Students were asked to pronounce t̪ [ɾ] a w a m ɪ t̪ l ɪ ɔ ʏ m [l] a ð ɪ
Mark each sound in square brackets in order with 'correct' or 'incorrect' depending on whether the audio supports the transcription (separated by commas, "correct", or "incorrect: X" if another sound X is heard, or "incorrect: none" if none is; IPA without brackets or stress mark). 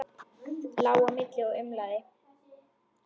incorrect: l, correct